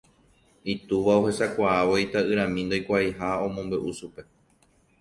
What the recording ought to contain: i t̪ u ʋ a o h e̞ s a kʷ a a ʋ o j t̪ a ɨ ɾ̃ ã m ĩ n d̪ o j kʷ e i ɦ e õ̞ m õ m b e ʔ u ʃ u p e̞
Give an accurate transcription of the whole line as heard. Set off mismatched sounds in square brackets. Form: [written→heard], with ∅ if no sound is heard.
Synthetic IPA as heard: i t̪ u ʋ a o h e̞ s a kʷ a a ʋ o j t̪ a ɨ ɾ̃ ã m ĩ n d̪ o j kʷ [e→a] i ɦ [e→a] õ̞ m õ m b e ʔ u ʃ u p e̞

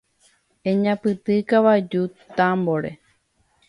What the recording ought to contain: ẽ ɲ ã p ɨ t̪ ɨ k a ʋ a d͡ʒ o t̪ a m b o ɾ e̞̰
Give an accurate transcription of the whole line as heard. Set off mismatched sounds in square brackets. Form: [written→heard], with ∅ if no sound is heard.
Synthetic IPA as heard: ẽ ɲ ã p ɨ t̪ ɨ k a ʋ a d͡ʒ [o→u] t̪ a m b o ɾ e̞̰

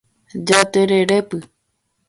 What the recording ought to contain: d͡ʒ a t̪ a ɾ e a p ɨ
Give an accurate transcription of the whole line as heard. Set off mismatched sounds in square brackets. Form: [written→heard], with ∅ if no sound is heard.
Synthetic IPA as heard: d͡ʒ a t̪ [a→e] ɾ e [a→e] p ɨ

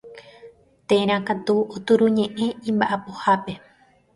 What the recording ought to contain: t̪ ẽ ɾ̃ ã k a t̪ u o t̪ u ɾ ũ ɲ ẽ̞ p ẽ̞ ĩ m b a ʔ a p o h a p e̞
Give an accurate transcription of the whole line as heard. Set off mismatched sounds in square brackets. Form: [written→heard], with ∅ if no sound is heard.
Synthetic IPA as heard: t̪ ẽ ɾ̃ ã k a t̪ u o t̪ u ɾ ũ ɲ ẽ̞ [p→ʔ] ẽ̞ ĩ m b a ʔ a p o h a p e̞

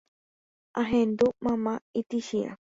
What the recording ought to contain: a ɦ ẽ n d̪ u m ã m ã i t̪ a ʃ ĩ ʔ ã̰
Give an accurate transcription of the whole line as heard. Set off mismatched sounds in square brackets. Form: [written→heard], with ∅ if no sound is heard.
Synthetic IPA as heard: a ɦ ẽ n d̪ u m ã m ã i t̪ [a→i] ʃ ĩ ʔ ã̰

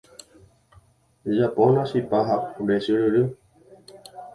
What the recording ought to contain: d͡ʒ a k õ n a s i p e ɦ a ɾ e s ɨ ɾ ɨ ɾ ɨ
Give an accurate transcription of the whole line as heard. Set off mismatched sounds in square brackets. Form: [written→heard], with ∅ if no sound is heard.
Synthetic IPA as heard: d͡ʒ a [k→p] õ n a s i p [e→a] ɦ a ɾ e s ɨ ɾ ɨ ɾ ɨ

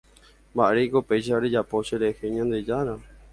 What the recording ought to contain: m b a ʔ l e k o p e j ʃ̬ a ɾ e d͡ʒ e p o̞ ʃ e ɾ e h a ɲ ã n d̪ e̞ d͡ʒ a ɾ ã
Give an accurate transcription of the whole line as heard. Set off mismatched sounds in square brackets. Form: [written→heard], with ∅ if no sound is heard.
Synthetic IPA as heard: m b a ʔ [l→ɾ] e k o p e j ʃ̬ a ɾ e d͡ʒ [e→a] p o̞ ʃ e ɾ e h [a→e] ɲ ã n d̪ e̞ d͡ʒ a ɾ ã

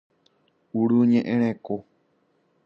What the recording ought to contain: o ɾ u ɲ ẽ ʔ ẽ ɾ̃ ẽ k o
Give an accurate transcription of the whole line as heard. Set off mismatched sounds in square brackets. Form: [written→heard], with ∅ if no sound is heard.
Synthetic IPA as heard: [o→u] ɾ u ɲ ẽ ʔ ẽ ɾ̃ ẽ k o

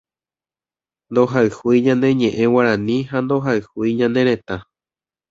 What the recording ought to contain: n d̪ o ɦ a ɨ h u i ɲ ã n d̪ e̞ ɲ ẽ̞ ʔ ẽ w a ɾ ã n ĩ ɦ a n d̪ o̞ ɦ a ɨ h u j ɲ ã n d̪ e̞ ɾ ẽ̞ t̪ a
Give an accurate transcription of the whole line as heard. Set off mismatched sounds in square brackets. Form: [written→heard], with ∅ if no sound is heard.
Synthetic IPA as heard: n d̪ o ɦ a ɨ h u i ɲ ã n d̪ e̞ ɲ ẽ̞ ʔ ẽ w a ɾ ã n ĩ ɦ a n d̪ o̞ ɦ a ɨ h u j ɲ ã n d̪ e̞ ɾ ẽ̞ t̪ a

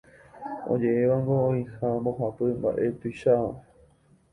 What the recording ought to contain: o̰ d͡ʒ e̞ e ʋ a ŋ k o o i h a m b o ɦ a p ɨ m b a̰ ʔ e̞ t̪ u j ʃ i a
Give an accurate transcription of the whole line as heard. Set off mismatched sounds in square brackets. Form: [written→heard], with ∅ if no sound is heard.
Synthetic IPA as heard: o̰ d͡ʒ e̞ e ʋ a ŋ [k→ɡ] o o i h a m b o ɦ a p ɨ m b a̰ ʔ e̞ t̪ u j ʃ [i→a] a

